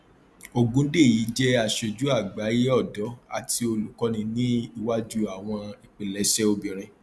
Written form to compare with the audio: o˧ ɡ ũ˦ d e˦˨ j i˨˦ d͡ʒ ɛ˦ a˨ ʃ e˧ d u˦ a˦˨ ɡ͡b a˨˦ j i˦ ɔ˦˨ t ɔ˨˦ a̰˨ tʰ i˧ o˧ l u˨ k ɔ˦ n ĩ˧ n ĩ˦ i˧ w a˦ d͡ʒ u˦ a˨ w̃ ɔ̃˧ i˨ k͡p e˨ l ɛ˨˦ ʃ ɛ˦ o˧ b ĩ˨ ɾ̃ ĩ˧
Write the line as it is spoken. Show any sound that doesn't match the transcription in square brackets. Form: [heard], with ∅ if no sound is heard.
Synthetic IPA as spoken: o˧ ɡ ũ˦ d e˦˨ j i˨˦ d͡ʒ ɛ˦ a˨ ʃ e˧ [d͡ʒ] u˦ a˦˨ ɡ͡b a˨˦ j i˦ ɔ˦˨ [d] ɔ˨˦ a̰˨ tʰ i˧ o˧ l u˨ k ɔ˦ n ĩ˧ n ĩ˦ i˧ w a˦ d͡ʒ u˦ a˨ w̃ ɔ̃˧ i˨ k͡p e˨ l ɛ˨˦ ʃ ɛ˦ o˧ b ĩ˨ ɾ̃ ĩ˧